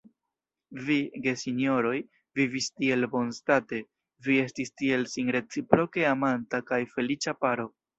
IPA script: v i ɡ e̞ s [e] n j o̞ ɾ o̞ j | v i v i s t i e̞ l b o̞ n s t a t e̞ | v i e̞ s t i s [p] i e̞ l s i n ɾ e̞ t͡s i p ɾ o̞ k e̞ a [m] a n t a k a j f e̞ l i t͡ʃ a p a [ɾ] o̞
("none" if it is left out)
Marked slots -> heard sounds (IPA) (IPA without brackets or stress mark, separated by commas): i, t, m, ɾ